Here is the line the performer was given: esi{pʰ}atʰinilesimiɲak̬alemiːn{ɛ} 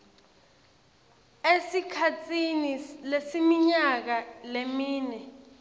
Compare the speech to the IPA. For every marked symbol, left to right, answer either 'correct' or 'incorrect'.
incorrect: kʰ, correct

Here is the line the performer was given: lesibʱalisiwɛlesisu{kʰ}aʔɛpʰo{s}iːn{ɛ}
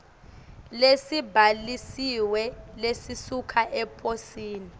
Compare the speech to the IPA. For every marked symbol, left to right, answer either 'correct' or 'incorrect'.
correct, correct, incorrect: i

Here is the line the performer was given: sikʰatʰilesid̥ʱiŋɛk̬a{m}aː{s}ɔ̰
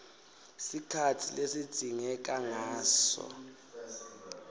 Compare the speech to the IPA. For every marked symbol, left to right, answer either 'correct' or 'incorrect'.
incorrect: ŋ, correct

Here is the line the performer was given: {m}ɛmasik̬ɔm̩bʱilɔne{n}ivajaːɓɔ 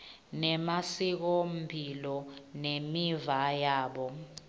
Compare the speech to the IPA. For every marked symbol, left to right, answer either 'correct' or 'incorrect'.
incorrect: n, incorrect: m

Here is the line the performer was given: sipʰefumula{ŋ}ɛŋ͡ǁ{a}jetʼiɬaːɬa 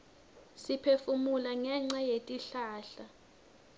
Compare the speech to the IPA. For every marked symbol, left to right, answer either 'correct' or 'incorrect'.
correct, correct

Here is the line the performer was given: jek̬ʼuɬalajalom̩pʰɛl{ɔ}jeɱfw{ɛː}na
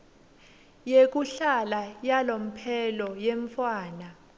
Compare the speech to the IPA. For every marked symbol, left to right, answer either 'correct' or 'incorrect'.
correct, incorrect: aː

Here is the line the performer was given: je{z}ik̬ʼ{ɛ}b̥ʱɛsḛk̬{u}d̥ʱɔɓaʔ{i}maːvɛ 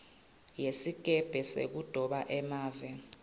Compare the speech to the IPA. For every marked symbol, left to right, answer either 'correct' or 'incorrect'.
incorrect: s, correct, correct, incorrect: ɛ

